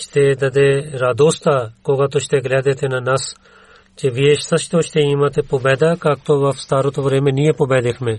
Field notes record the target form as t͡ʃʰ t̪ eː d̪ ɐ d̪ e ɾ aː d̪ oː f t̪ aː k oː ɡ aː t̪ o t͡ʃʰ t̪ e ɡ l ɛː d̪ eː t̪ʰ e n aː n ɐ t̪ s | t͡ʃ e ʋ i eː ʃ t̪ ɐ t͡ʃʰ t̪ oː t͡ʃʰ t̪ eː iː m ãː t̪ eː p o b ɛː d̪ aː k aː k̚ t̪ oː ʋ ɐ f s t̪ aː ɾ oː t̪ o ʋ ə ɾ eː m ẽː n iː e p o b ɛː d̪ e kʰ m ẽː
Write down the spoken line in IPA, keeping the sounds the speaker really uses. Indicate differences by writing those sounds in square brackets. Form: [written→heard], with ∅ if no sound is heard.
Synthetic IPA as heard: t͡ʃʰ t̪ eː d̪ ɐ d̪ e ɾ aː d̪ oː [f→s] t̪ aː k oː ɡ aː t̪ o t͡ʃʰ t̪ e ɡ l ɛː d̪ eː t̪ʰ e n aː n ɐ [t̪→∅] s | t͡ʃ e ʋ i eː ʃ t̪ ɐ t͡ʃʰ t̪ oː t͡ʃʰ t̪ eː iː m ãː t̪ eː p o b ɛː d̪ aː k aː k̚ t̪ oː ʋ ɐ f s t̪ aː ɾ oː t̪ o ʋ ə ɾ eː m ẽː n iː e p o b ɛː d̪ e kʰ m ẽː